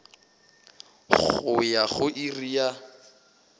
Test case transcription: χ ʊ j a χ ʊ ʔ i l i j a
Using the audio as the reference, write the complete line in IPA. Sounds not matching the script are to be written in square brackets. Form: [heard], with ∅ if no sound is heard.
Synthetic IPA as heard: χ ʊ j a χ ʊ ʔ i [r] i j a